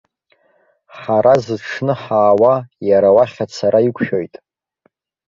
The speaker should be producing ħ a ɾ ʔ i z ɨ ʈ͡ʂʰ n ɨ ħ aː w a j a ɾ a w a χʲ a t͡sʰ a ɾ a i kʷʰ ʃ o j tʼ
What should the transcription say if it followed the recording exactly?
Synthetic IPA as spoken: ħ a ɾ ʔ a z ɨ ʈ͡ʂʰ n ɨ ħ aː w a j a ɾ a w a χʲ a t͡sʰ a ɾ a i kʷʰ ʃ o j tʼ